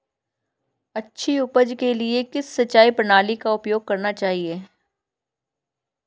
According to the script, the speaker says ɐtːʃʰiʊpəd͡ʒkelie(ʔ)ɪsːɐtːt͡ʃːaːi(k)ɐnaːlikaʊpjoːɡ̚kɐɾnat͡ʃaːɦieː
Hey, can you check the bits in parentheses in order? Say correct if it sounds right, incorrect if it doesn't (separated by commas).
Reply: incorrect, incorrect